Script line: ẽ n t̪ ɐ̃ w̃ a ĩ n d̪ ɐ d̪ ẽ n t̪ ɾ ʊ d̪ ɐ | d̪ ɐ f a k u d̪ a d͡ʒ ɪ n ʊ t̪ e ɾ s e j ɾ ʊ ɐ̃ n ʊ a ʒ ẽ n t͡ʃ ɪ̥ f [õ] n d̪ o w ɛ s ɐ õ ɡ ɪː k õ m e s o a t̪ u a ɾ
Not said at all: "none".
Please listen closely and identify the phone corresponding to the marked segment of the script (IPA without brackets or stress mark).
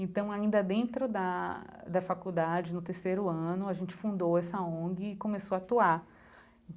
ũ